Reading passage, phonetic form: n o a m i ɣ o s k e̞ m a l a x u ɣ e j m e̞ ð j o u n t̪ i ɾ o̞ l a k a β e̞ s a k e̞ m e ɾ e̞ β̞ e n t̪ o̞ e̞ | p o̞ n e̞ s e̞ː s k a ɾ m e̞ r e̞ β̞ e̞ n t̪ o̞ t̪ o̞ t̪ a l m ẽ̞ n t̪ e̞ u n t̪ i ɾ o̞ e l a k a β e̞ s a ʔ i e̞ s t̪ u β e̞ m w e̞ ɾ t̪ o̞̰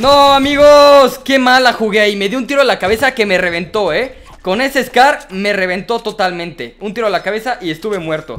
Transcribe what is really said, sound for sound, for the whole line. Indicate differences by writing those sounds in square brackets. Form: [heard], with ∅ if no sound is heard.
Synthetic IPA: n o a m i ɣ o s k e̞ m a l a x u ɣ e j m e̞ ð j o u n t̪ i ɾ o̞ l a k a β e̞ s a k e̞ m e [r] e̞ β̞ e n t̪ o̞ e̞ | [k] o̞ n e̞ s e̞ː s k a ɾ m e̞ r e̞ β̞ e̞ n t̪ o̞ t̪ o̞ t̪ a l m ẽ̞ n t̪ e̞ u n t̪ i ɾ o̞ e l a k a β e̞ s a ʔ i e̞ s t̪ u β e̞ m w e̞ ɾ t̪ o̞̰